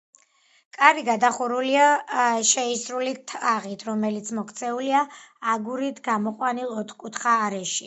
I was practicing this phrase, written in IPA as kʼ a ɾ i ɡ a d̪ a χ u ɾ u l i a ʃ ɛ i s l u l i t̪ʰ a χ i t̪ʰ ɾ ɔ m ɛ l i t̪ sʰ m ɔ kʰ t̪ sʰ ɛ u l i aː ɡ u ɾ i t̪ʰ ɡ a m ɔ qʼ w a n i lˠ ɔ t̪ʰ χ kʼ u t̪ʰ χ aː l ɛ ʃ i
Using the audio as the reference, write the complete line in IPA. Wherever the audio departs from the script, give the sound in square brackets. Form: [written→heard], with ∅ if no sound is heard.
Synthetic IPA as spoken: kʼ a ɾ i ɡ a d̪ a χ u ɾ u l i a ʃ ɛ i s [l→ɾ] u l i t̪ʰ a [χ→ʁ] i t̪ʰ ɾ ɔ m ɛ l i t̪ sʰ m ɔ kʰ t̪ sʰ ɛ u l i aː ɡ u ɾ i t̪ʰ ɡ a m ɔ qʼ w a n i lˠ ɔ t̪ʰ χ kʼ u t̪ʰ χ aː [l→ɾ] ɛ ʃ i